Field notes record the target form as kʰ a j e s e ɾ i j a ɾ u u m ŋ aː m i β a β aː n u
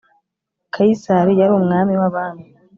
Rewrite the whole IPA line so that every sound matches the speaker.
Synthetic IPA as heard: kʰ a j i s a ɾ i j a ɾ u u m ŋ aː m i w a β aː n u

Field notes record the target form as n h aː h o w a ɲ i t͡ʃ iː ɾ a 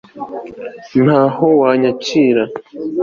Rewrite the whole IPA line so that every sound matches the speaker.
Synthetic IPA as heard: n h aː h o w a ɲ a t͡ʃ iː ɾ a

